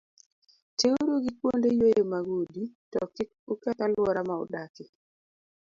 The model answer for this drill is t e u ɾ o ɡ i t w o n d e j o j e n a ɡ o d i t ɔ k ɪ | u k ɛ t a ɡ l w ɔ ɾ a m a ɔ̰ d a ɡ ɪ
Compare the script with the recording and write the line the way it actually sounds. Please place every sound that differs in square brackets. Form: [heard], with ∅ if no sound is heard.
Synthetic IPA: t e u ɾ o ɡ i [k] w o n d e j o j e [m] a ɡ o d i t ɔ k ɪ | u k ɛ t a [∅] l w ɔ ɾ a m a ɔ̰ d a [k] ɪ